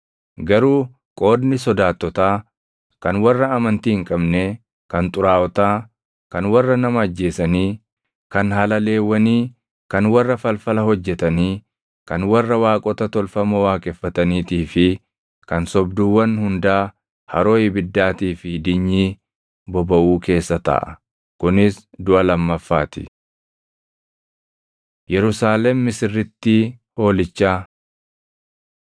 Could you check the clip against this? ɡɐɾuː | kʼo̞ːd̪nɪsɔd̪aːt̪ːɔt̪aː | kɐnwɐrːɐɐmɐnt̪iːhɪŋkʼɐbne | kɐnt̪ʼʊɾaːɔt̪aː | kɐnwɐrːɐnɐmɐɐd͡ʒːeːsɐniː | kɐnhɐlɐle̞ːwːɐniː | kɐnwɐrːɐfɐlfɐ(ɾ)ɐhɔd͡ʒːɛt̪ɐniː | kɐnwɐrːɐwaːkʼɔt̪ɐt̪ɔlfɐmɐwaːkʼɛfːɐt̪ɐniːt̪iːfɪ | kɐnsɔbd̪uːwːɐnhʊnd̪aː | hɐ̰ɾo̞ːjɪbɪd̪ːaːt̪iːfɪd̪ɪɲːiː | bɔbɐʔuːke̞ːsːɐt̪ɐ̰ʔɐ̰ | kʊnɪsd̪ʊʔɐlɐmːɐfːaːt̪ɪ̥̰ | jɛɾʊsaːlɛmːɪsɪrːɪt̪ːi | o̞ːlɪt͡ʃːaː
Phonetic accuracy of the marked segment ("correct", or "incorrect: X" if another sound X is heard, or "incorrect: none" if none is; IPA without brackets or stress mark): incorrect: l